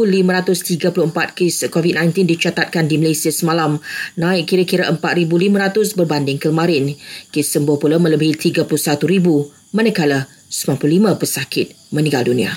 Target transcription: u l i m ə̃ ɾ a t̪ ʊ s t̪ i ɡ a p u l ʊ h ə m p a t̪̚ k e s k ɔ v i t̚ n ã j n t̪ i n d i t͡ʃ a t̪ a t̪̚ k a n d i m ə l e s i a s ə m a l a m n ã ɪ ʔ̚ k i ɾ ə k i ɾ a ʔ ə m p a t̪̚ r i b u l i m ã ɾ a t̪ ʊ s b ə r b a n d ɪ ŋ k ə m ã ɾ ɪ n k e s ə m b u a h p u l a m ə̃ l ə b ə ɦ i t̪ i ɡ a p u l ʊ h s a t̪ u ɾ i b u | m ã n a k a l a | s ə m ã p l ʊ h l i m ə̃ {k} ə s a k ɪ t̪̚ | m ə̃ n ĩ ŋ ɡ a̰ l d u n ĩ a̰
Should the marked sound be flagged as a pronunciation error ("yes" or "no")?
yes